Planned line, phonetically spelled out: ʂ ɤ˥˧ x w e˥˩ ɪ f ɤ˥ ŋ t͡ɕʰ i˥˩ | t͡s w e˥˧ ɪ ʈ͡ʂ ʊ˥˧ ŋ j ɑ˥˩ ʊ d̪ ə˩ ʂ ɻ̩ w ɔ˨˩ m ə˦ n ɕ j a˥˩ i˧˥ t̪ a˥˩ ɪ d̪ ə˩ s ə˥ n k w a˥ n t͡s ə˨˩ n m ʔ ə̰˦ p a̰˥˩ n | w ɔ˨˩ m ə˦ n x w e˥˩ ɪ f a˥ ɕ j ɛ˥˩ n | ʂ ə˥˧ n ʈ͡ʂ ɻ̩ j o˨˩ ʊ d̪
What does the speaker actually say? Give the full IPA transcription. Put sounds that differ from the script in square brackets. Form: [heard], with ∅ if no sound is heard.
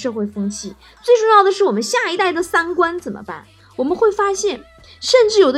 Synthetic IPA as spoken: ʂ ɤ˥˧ x w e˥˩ ɪ f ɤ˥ ŋ t͡ɕʰ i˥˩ | t͡s w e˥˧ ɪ ʈ͡ʂ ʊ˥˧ ŋ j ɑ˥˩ ʊ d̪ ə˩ ʂ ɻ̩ w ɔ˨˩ m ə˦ n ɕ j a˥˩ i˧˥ t̪ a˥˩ ɪ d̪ ə˩ s [a˥] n k w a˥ n t͡s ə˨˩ n m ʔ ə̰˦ p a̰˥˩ n | w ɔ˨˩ m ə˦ n x w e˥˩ ɪ f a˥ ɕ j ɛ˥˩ n | ʂ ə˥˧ n ʈ͡ʂ ɻ̩ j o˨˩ ʊ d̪